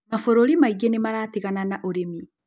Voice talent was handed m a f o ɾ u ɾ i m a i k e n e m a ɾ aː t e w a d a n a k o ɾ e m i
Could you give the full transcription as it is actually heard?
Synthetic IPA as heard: m a f o ɾ o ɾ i m a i ɡ e n e m a ɾ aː t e ɣ a n a n a ʔ o ɾ e m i